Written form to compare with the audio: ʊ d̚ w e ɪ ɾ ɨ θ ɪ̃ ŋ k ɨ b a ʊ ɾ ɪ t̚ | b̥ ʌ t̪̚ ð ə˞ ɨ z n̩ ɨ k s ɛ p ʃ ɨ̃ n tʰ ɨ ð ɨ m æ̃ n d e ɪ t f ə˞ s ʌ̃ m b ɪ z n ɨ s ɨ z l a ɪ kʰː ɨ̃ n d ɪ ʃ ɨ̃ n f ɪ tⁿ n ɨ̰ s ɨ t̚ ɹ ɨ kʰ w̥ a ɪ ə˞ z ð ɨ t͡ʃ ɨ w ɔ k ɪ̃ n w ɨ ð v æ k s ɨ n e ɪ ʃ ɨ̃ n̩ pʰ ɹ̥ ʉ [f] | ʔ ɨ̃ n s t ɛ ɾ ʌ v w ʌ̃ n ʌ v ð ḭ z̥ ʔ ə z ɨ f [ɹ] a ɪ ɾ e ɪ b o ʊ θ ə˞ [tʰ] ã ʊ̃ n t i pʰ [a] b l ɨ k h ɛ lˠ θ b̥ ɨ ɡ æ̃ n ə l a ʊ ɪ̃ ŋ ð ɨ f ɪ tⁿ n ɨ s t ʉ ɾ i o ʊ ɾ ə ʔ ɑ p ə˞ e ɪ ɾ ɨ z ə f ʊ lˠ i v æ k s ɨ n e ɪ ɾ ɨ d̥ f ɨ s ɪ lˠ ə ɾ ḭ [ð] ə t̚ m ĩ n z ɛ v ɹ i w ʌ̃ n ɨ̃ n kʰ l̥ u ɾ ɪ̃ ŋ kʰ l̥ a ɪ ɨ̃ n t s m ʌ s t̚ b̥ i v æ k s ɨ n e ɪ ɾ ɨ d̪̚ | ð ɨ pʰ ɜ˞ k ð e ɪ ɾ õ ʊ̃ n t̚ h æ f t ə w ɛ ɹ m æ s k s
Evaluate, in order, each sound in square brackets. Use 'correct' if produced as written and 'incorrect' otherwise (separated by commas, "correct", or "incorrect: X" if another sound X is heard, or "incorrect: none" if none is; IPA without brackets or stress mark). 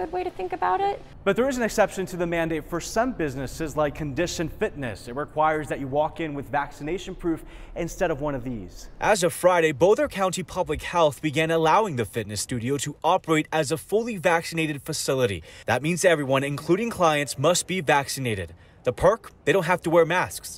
correct, correct, incorrect: kʰ, incorrect: ʌ, correct